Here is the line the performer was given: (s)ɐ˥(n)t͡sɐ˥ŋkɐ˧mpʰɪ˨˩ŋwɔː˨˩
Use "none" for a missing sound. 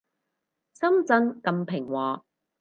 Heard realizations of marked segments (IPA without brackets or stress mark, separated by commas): s, m